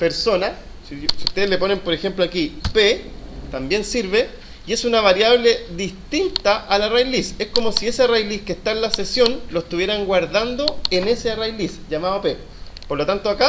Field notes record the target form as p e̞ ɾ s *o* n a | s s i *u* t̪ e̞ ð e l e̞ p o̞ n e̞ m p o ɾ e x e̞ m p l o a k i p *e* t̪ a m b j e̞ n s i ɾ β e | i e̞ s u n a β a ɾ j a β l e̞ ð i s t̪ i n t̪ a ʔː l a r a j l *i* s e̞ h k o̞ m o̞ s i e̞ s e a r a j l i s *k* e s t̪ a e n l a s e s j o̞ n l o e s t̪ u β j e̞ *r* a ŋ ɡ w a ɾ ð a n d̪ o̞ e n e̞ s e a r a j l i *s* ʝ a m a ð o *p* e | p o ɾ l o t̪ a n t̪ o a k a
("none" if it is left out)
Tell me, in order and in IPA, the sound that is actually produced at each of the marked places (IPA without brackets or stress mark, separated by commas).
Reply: o, u, e, i, k, ɾ, s, p